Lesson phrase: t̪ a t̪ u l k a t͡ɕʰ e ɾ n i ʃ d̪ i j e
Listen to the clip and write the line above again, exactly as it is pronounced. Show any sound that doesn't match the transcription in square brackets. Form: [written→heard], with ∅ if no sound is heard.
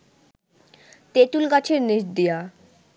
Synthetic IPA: t̪ [a→e] t̪ u l k a t͡ɕʰ e ɾ n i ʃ d̪ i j [e→a]